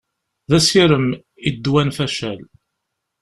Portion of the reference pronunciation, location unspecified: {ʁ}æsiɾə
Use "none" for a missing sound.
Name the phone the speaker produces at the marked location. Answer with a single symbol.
ð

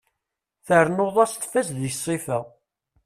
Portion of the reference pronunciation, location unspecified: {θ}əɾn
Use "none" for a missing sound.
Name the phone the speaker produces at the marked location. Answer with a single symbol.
θ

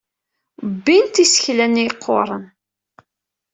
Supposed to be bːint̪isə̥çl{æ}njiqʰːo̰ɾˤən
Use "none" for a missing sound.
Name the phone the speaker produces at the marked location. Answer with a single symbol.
æ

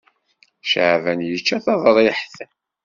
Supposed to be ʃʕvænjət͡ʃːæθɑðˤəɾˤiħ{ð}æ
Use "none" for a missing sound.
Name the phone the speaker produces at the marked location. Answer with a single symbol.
θ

